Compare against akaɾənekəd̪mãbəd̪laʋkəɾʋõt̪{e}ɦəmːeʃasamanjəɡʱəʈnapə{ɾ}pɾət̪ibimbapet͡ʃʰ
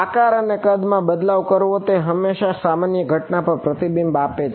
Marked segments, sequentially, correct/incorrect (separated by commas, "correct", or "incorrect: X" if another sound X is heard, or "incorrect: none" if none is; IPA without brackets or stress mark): correct, correct